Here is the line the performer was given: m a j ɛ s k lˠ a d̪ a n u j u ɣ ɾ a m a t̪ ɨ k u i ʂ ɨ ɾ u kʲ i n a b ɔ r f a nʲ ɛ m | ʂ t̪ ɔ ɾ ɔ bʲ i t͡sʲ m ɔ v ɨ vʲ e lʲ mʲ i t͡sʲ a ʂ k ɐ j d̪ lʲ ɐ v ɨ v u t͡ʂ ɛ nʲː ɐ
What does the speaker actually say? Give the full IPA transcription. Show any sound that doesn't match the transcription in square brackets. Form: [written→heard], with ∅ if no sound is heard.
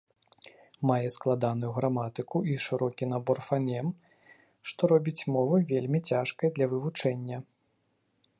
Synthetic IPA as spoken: m a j ɛ s k lˠ a d̪ a n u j u ɣ ɾ a m a t̪ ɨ k u i ʂ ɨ ɾ [u→ɔ] kʲ i n a b ɔ r f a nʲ ɛ m | ʂ t̪ ɔ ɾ ɔ bʲ i t͡sʲ m ɔ v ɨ vʲ e lʲ mʲ i t͡sʲ a ʂ k ɐ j d̪ lʲ ɐ v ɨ v u t͡ʂ ɛ nʲː ɐ